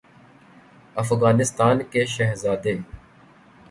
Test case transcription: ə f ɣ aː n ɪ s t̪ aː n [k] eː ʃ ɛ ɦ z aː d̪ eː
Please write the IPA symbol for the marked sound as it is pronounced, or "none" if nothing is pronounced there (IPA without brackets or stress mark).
k